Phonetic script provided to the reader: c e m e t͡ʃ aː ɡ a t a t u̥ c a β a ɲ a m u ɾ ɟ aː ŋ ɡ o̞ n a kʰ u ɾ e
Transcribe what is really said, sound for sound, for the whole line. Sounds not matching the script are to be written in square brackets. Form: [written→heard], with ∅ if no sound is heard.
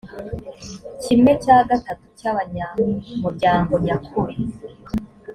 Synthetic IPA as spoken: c [e→i] m e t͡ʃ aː ɡ a t a t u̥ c a β a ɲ a m u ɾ ɟ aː ŋ ɡ o̞ [n→ɲ] a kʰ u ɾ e